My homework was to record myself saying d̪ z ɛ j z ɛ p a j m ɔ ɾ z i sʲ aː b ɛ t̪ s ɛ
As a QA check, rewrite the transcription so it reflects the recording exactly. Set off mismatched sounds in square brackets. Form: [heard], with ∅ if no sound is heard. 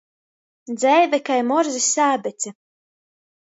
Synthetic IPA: d̪ z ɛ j [v] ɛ [k] a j m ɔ ɾ z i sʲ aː b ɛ t̪ s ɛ